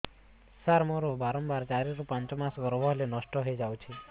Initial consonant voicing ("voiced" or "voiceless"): voiceless